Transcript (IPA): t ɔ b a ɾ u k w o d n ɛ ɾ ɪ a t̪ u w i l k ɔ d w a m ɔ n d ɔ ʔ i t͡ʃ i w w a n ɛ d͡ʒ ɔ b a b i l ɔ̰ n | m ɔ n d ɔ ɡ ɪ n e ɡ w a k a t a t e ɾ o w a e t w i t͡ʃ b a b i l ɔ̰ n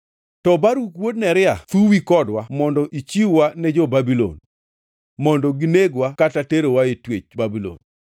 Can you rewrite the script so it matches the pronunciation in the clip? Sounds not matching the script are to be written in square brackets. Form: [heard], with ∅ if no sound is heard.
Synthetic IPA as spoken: t ɔ b a ɾ u k w o d n ɛ ɾ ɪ a t̪ u w i [∅] k ɔ d w a m ɔ n d ɔ ʔ i t͡ʃ i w w a n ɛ d͡ʒ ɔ b a b i l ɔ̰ n | m ɔ n d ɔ ɡ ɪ n e ɡ w a k a t a t e ɾ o w a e t w [e] t͡ʃ b a b i l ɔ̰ n